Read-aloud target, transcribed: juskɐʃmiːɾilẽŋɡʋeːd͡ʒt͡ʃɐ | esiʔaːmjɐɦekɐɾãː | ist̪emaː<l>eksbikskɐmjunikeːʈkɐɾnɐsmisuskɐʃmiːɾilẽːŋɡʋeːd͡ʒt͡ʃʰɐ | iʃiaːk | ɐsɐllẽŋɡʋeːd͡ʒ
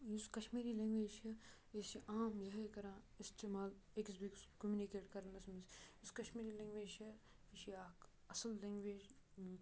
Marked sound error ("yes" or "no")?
no